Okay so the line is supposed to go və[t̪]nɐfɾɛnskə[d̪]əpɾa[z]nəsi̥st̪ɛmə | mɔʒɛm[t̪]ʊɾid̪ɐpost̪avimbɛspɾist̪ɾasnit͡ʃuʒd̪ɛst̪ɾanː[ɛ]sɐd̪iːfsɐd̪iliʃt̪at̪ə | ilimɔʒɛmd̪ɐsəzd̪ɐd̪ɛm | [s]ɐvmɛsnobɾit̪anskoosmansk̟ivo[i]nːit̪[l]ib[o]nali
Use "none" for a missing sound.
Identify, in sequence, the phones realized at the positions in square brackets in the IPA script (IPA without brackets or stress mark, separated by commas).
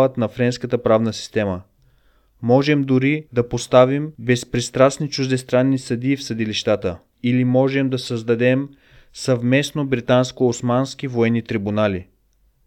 t̪, t̪, v, d̪, i, s, ɛ, ɾ, u